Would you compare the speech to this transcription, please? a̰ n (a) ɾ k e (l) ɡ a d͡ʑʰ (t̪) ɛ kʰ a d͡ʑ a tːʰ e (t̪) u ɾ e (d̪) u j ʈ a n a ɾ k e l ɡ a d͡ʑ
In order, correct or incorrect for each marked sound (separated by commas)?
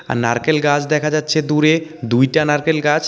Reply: correct, correct, incorrect, incorrect, correct